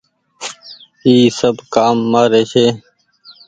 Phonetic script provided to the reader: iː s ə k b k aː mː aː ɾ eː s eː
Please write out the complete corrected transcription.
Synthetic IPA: iː s ə b k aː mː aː ɾ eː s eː